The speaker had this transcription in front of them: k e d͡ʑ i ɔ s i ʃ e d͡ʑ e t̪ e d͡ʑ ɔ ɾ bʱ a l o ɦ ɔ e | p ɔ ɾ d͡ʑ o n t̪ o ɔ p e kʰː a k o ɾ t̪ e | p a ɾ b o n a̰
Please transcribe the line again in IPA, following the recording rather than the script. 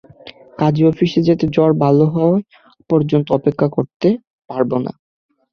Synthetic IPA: k a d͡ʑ i ɔ f i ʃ e d͡ʑ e t̪ e d͡ʑ ɔ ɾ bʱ a l o ɦ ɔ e | p ɔ ɾ d͡ʑ o n t̪ o ɔ p e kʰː a k o ɾ t̪ e | p a ɾ b o n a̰

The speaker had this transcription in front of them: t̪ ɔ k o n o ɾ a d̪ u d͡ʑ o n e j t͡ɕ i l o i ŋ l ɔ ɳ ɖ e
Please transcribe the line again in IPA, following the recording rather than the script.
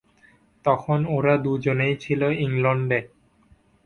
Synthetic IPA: t̪ ɔ kʰ o n o ɾ a d̪ u d͡ʑ o n e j t͡ɕʰ i l o i ŋ l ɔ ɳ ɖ e

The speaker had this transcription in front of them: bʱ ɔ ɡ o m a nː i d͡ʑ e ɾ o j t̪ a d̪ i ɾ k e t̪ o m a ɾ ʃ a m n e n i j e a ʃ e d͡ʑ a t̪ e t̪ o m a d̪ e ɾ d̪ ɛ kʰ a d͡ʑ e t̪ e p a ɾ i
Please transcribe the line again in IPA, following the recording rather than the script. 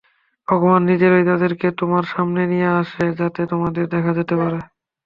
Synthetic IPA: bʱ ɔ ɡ o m a nː i d͡ʑ e ɾ o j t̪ a d̪ e ɾ k e t̪ o m a ɾ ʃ a m n e n i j e a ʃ e d͡ʑ a t̪ e t̪ o m a d̪ e ɾ d̪ ɛ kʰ a d͡ʑ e t̪ e p a ɾ e

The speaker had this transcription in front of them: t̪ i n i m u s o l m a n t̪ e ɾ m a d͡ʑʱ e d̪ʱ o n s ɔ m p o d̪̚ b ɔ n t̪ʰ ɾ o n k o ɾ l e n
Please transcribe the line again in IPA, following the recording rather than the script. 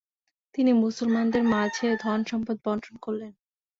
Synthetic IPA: t̪ i n i m u s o l m a n d̪ e ɾ m a d͡ʑʱ e d̪ʱ ɔ n ʃ ɔ m p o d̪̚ b ɔ n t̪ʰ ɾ o n k o ɾ l e n

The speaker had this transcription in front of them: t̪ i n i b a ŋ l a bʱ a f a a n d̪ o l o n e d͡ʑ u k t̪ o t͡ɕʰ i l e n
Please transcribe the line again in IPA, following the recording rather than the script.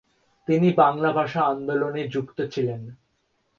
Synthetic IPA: t̪ i n i b a ŋ l a bʱ a ʃ a a n d̪ o l o n e d͡ʑ u k t̪ o t͡ɕʰ i l e n

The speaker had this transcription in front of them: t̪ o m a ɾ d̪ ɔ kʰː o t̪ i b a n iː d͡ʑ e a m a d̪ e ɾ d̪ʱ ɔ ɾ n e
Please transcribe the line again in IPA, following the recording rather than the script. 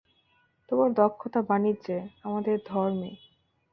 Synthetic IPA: t̪ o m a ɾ d̪ ɔ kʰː o t̪ a b a n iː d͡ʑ e a m a d̪ e ɾ d̪ʱ ɔ ɾ m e

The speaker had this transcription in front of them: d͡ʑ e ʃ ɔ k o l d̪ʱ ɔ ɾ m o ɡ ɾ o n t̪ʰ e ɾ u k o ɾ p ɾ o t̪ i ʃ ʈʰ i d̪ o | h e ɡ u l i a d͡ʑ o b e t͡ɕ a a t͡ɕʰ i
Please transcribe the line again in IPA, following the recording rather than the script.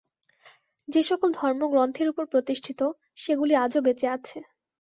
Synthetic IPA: d͡ʑ e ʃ ɔ k o l d̪ʱ ɔ ɾ m o ɡ ɾ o n t̪ʰ e ɾ u p o ɾ p ɾ o t̪ i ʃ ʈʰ i t̪ o | ʃ e ɡ u l i a d͡ʑ o b e t͡ɕ e a t͡ɕʰ e

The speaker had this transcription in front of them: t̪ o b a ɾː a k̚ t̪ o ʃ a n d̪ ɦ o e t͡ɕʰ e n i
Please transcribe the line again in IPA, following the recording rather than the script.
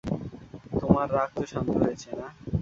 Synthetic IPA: t̪ o m a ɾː a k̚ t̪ o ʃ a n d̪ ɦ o e t͡ɕʰ e n a

